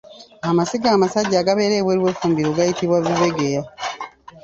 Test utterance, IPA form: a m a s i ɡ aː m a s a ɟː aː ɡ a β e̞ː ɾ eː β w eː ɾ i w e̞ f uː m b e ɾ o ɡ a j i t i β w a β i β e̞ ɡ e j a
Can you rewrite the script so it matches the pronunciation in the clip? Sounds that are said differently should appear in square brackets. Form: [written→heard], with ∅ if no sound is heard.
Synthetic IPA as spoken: a m a s i ɡ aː m a s a ɟː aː ɡ a β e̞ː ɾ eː β w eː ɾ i w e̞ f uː m b [e→i] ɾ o ɡ a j i t i β w a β i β e̞ ɡ e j a